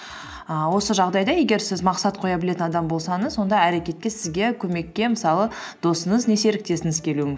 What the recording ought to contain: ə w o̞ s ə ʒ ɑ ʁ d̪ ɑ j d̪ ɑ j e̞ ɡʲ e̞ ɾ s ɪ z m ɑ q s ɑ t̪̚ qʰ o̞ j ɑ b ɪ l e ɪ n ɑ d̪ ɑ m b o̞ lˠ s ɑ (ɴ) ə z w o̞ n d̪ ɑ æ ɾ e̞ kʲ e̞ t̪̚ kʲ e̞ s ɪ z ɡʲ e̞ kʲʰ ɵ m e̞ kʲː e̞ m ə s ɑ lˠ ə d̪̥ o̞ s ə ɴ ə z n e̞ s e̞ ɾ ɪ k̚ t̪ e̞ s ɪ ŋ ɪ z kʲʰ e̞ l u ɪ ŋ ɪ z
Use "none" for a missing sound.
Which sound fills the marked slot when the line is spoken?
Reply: ɴ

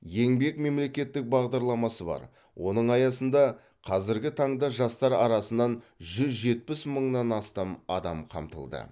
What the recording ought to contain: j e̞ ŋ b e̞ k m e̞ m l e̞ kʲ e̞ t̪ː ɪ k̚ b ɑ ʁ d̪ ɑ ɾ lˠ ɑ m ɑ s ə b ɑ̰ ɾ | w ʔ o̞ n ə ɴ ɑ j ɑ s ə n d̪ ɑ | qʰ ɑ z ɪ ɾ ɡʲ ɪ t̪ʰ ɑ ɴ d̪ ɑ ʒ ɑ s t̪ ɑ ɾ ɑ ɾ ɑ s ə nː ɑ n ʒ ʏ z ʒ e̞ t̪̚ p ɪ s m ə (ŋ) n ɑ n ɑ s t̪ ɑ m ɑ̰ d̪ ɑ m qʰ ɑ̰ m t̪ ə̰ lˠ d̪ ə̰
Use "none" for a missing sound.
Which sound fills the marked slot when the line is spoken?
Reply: ɴ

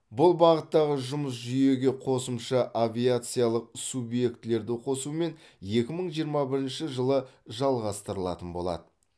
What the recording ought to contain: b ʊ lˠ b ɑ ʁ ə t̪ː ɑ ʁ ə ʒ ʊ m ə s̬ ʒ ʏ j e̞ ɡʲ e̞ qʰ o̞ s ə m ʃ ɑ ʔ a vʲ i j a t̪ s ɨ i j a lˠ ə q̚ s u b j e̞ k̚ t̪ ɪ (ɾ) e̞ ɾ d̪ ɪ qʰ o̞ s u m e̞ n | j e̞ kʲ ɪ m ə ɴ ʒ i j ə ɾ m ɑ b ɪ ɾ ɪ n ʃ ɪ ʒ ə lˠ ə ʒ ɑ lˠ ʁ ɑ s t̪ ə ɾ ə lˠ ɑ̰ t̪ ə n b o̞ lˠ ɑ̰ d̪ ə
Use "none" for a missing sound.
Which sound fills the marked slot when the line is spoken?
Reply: l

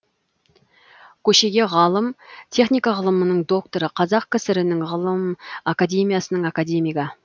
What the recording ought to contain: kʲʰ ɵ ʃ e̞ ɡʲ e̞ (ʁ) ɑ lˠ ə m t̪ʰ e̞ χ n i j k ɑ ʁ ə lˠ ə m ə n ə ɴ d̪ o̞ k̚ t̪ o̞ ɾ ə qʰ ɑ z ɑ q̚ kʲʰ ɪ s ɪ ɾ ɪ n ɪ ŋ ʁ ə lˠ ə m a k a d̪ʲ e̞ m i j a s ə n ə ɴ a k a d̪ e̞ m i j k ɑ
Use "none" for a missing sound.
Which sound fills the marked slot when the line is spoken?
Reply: ʁ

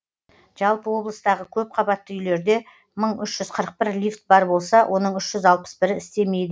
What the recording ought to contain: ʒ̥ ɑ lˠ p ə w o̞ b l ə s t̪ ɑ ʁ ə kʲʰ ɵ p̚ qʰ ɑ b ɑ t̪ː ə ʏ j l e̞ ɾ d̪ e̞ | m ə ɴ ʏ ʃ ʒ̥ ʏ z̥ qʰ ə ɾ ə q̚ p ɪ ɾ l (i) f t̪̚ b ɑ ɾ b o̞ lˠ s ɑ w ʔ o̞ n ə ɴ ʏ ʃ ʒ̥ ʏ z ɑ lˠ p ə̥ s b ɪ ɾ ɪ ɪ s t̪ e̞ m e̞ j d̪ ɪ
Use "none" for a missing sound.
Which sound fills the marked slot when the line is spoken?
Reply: i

